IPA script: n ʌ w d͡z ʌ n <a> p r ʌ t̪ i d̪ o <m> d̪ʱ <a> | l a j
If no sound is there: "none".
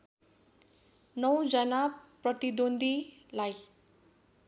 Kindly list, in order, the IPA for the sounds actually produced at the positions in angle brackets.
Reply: a, n, i

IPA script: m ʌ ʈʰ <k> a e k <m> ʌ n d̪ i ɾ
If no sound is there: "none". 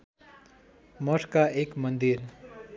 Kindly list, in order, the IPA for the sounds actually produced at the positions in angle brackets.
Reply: k, m

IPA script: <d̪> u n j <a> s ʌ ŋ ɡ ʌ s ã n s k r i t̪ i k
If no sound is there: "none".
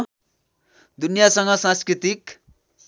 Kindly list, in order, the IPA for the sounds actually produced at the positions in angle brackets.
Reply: d̪, a

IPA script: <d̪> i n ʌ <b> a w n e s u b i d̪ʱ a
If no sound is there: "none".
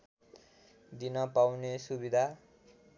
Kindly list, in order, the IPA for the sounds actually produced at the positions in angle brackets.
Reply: d̪, p

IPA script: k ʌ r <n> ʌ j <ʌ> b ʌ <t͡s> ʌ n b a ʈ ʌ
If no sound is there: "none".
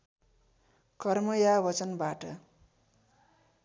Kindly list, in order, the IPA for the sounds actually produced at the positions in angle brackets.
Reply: m, a, t͡s

